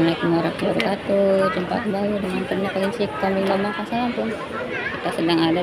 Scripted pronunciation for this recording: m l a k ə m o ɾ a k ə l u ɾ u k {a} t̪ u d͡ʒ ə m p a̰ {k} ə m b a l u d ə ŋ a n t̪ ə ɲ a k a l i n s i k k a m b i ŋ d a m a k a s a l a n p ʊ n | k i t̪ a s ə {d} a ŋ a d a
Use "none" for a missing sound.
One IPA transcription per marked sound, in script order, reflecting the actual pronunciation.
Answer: a, k, d

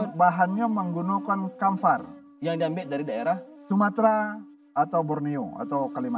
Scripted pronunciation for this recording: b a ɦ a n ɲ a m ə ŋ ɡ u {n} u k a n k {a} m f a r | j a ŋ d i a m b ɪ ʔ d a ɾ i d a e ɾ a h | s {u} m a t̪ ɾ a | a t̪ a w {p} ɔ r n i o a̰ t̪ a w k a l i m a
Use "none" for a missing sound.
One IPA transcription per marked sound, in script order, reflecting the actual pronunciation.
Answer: n, a, u, b

